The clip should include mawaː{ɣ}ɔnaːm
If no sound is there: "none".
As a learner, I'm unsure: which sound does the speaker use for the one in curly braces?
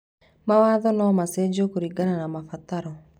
ð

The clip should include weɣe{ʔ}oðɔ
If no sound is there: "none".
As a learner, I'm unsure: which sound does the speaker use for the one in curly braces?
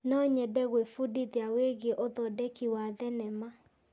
ʔ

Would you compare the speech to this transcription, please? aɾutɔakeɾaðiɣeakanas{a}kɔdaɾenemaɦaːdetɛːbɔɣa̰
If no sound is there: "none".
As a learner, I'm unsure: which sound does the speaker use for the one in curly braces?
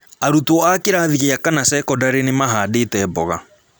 ɛ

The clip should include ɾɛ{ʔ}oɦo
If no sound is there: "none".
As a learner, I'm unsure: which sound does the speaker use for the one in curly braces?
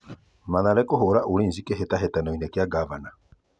k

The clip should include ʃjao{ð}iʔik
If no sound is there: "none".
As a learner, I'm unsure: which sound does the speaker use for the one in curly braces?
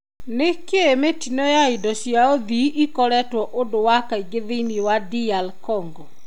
ð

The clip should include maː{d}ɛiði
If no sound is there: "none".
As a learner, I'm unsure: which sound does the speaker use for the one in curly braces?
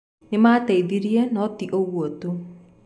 t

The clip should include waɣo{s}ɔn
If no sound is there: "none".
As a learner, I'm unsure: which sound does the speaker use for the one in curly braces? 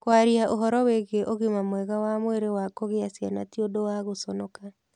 s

